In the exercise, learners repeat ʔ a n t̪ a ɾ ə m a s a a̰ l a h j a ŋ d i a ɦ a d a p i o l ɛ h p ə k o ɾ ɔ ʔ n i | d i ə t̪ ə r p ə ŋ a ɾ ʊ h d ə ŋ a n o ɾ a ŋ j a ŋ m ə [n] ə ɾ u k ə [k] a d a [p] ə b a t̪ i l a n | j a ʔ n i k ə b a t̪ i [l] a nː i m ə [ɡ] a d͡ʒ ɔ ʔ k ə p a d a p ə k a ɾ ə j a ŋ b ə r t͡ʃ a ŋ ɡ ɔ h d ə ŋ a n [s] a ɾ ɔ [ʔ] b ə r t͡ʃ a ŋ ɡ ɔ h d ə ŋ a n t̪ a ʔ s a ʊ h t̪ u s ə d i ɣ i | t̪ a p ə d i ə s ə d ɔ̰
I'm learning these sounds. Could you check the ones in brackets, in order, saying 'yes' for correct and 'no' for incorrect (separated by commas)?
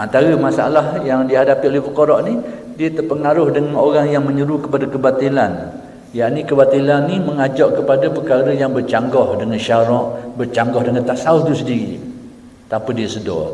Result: no, no, no, yes, no, no, yes